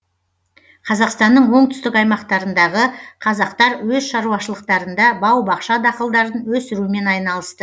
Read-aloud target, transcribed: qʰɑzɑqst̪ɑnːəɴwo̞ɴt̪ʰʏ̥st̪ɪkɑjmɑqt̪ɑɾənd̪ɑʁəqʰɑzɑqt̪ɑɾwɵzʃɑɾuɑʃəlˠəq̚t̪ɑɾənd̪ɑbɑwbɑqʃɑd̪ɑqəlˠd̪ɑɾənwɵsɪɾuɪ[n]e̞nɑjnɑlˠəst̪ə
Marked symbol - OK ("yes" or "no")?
no